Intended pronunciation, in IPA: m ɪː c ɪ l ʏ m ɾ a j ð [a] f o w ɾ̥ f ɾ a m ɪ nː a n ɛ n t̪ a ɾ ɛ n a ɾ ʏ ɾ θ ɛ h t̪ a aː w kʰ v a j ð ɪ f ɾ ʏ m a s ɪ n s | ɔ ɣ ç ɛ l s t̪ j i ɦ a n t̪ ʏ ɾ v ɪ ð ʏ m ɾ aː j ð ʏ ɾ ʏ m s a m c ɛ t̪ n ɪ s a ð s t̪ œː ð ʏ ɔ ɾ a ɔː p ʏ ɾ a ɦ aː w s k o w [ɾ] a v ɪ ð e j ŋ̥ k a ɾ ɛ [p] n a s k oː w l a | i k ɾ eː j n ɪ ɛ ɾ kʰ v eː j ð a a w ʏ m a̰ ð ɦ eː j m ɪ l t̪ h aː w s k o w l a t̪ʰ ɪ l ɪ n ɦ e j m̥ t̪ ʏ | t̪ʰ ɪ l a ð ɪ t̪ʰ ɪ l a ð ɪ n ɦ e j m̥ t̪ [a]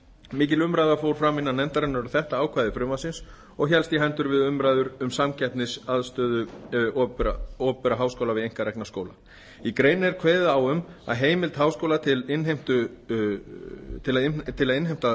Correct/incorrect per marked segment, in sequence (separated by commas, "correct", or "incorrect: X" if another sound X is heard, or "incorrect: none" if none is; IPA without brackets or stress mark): correct, incorrect: l, incorrect: k, correct